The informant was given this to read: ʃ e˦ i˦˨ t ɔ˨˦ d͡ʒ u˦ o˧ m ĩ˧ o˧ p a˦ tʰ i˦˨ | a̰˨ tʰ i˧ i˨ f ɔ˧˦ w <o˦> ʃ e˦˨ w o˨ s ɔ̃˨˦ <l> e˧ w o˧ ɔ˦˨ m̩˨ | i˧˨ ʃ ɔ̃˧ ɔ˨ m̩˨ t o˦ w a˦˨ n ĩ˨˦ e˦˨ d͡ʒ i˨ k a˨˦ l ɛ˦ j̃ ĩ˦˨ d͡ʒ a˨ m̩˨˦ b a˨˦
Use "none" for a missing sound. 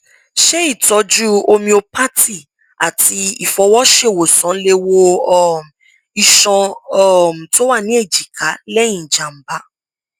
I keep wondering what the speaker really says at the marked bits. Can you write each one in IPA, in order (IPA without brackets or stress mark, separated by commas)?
ɔ˦, l